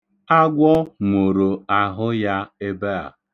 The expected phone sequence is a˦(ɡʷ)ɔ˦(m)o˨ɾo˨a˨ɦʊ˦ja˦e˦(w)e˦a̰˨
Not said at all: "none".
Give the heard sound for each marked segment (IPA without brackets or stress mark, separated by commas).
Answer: ɡʷ, m, b